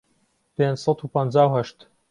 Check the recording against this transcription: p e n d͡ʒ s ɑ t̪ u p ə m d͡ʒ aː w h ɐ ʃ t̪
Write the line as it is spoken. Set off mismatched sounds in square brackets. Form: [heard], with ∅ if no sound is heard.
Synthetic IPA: p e n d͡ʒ s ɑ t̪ u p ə [n] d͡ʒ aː w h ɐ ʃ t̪